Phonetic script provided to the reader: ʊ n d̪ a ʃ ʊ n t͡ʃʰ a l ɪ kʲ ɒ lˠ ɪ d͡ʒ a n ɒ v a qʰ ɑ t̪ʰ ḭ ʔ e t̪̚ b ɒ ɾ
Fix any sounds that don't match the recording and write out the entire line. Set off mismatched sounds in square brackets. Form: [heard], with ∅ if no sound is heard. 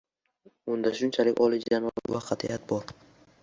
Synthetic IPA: ʊ n d̪ a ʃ ʊ n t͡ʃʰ a l ɪ kʲ ɒ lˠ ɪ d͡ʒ a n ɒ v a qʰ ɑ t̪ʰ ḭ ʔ [a] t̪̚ b ɒ ɾ

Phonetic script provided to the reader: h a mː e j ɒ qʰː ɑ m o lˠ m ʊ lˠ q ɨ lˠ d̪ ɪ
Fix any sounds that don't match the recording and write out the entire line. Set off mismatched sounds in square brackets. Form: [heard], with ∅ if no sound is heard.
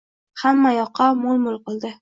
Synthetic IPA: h a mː [a] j ɒ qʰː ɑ m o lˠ m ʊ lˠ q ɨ lˠ d̪ ɪ

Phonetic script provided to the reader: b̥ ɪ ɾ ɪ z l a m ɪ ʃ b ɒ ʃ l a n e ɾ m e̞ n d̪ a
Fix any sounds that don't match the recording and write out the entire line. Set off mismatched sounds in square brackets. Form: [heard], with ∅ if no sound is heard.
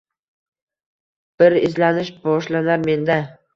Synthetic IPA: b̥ ɪ ɾ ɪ z l a [n] ɪ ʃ b ɒ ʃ l a n [a] ɾ m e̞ n d̪ a

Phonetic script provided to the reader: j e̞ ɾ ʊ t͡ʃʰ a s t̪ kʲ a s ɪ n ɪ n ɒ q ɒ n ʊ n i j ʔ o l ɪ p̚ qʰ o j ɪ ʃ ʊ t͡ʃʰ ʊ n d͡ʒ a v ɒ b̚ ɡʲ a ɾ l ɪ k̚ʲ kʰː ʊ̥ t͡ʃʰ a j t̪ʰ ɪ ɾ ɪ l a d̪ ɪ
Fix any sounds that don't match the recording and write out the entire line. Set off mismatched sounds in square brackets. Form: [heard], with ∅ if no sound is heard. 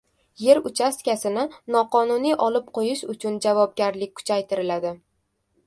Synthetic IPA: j e̞ ɾ ʊ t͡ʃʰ a s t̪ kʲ a s ɪ n ɪ n ɒ q ɒ n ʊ n i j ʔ [ɒ] l ɪ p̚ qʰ o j ɪ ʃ ʊ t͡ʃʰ ʊ n d͡ʒ a v ɒ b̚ ɡʲ a ɾ l ɪ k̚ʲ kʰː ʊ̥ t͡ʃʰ a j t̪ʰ ɪ ɾ ɪ l a d̪ ɪ

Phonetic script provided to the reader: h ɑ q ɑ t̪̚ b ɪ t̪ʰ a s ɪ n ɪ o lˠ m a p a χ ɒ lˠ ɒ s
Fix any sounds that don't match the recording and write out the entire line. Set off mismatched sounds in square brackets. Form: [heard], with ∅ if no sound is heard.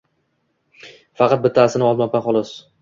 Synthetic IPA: [f] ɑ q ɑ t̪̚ b ɪ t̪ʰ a s ɪ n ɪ [ɒ] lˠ m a p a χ ɒ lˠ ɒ s

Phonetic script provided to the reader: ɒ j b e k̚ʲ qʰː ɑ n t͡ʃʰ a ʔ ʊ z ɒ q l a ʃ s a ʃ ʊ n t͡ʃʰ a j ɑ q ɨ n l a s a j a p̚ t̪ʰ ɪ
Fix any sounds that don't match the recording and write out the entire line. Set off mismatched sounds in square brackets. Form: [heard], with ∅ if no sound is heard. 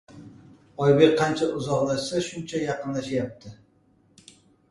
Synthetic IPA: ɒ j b e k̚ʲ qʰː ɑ n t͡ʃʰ a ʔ ʊ z ɒ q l a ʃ s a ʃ ʊ n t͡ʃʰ a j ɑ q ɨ n l a [ʃ] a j a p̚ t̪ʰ ɪ

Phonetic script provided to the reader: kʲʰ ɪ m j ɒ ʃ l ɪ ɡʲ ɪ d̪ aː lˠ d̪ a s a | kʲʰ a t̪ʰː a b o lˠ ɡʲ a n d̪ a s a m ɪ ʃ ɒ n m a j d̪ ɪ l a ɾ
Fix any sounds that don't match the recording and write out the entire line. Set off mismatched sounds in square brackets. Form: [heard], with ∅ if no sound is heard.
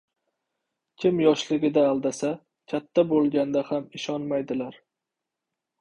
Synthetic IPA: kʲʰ ɪ m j ɒ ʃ l ɪ ɡʲ ɪ d̪ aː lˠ d̪ a s a | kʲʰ a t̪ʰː a b o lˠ ɡʲ a n d̪ a [h] a m ɪ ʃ ɒ n m a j d̪ ɪ l a ɾ

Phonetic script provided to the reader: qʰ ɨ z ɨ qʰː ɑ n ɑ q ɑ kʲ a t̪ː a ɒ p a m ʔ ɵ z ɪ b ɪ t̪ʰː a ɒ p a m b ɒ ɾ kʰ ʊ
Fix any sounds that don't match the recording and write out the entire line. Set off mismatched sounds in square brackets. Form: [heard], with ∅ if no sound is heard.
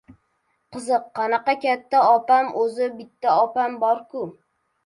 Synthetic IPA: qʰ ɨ z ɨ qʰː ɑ n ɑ q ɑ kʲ a t̪ː a ɒ p a m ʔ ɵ z ɪ b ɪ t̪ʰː a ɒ p a m b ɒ ɾ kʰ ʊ

